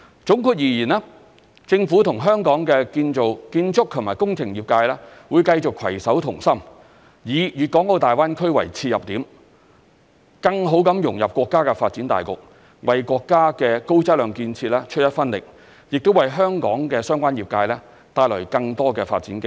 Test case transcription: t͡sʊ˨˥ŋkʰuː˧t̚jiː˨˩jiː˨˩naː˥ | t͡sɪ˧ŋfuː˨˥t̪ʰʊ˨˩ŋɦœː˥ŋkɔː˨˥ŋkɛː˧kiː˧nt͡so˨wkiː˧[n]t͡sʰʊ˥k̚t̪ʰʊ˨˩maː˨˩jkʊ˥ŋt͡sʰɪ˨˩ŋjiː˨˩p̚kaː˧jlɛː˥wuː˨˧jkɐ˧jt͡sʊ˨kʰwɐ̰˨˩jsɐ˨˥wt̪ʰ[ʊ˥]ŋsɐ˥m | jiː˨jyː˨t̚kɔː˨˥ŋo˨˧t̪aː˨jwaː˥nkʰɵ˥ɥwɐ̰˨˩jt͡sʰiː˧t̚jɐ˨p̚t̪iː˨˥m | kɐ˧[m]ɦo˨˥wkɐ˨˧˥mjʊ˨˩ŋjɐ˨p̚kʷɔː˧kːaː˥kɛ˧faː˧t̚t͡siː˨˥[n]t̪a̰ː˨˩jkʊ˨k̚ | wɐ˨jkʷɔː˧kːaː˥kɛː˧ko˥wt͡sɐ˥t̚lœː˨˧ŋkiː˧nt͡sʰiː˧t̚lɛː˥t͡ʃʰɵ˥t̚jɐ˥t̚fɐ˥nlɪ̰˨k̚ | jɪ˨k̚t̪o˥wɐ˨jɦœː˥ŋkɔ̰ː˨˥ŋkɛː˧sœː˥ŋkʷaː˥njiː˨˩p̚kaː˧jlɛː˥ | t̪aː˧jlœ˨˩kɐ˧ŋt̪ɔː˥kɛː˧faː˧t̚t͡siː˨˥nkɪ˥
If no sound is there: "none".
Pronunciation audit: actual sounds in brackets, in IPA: n, ʊ˨˩, ŋ, n

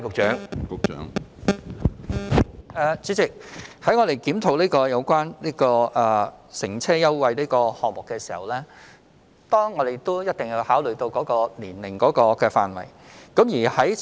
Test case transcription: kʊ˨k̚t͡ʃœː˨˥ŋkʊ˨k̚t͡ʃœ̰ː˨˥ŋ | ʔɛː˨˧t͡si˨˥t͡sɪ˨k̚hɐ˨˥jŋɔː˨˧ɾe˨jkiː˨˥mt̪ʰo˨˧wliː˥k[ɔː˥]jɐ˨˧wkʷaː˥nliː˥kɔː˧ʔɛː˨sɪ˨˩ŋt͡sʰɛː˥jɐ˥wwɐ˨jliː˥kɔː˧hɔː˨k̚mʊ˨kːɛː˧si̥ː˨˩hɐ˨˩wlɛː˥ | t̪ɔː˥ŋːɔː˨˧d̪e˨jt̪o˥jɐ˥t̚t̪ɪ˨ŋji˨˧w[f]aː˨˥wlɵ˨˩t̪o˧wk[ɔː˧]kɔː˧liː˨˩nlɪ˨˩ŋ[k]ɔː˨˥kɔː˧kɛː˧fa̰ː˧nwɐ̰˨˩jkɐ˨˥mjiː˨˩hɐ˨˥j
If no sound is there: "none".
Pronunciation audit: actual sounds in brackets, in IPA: ɔː˧, h, ɔː˨˥, k

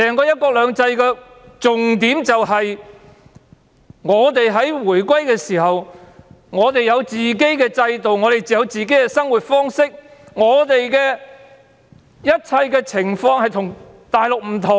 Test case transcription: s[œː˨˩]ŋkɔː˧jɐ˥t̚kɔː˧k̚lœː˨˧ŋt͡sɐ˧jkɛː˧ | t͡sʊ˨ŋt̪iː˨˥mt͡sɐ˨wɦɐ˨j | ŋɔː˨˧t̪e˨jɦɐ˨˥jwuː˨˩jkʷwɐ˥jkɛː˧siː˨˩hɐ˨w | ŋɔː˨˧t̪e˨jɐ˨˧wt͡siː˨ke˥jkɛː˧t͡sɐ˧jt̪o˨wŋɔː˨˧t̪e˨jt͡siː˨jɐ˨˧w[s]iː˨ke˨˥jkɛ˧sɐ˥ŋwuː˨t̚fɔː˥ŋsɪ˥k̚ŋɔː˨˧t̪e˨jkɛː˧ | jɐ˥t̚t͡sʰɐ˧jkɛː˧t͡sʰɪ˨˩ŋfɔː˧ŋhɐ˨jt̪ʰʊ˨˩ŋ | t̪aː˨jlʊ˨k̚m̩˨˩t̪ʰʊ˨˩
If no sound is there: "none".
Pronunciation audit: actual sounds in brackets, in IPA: ɛː˨˩, t͡s

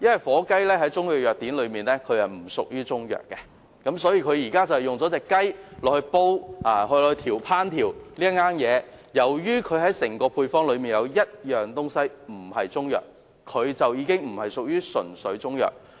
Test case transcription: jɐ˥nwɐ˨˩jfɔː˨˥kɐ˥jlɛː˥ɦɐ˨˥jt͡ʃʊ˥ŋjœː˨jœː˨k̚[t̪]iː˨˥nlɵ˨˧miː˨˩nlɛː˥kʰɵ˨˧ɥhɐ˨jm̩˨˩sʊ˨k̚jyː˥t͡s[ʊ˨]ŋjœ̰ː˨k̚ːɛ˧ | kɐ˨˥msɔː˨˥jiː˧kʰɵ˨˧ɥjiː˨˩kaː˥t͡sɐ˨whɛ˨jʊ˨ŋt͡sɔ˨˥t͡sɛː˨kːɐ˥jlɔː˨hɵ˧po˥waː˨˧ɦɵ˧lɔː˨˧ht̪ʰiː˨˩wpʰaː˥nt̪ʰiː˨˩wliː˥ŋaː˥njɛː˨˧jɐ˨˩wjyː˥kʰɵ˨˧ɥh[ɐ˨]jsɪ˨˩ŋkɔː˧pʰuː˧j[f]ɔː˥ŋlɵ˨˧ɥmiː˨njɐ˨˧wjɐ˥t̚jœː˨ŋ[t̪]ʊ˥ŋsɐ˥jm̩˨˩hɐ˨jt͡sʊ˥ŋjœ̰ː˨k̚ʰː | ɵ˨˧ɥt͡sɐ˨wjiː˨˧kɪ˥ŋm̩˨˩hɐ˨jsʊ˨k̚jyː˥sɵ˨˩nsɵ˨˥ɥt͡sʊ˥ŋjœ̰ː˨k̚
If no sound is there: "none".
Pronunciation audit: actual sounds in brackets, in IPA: t̪, ʊ˥, ɐ˨˥, f, t̪

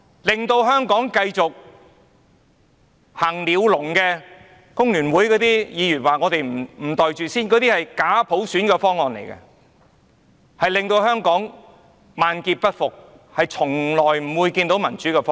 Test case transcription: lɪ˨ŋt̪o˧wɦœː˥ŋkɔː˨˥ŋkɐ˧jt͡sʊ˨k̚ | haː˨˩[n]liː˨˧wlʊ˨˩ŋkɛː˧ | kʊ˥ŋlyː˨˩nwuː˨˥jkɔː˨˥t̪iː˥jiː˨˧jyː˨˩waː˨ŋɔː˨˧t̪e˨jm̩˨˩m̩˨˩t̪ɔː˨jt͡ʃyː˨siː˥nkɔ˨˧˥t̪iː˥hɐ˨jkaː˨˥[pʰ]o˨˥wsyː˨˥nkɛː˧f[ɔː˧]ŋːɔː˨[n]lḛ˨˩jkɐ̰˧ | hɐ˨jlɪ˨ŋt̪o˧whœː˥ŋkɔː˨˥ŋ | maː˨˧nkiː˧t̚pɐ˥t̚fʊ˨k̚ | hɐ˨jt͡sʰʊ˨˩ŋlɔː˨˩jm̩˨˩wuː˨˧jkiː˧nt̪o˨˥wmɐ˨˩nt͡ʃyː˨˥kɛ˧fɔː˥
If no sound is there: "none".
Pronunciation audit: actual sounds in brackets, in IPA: ŋ, pʰ, ɔː˥, n

